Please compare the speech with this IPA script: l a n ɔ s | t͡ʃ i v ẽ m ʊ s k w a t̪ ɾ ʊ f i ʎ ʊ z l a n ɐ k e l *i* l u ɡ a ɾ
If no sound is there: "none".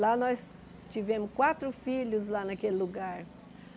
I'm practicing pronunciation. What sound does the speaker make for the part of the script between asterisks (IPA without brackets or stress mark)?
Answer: ɪ